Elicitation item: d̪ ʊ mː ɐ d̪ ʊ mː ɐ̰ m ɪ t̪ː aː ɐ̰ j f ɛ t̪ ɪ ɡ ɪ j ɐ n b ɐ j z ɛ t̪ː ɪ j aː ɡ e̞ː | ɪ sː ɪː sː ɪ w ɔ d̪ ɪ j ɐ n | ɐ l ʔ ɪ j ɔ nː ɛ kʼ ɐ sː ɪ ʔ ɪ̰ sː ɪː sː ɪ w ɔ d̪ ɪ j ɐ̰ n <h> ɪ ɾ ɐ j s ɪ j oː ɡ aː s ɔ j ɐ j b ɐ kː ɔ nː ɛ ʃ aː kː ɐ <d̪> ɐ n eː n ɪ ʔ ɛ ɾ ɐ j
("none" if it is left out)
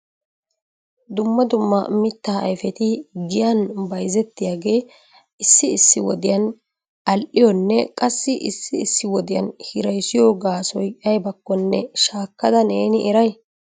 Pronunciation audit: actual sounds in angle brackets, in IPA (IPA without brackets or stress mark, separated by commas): h, d̪